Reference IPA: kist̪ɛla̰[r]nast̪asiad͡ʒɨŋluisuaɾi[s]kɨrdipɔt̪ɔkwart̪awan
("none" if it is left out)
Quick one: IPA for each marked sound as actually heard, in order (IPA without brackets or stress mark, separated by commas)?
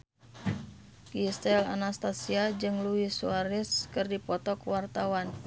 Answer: none, s